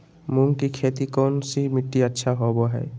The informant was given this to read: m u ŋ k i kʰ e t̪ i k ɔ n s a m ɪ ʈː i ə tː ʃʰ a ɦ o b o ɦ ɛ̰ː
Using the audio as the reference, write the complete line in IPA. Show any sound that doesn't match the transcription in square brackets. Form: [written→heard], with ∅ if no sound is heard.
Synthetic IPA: m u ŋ k i kʰ e t̪ i k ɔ n s [a→i] m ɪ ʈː i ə tː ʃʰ a ɦ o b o ɦ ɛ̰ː